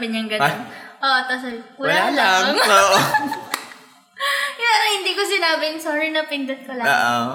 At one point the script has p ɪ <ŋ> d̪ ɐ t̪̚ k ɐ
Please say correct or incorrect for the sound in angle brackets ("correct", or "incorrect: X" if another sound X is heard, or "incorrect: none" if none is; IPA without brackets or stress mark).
incorrect: n